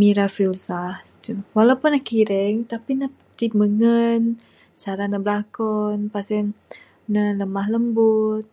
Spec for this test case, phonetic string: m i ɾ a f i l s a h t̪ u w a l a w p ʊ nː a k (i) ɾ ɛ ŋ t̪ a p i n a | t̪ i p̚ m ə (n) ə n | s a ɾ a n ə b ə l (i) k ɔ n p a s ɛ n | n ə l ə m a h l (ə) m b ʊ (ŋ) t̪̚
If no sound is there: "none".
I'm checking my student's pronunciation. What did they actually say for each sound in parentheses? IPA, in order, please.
i, ŋ, a, ə, none

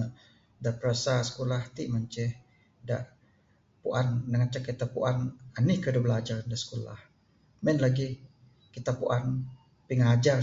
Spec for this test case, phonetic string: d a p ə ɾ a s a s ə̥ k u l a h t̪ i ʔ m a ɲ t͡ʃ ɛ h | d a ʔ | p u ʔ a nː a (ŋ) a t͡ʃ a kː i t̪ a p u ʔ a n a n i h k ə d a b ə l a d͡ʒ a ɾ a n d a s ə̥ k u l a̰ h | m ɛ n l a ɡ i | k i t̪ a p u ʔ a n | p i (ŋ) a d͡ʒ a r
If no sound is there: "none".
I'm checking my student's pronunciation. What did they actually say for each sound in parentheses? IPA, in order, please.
ŋ, ŋ

